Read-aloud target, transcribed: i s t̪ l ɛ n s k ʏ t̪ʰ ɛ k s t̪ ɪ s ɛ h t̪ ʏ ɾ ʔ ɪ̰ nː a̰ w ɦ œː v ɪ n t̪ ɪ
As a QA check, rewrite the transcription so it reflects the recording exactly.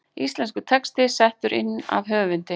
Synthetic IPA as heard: i s t̪ l ɛ n s k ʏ t̪ʰ ɛ k s t̪ ɪ s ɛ h t̪ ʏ ɾ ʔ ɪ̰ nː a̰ v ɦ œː v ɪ n t̪ ɪ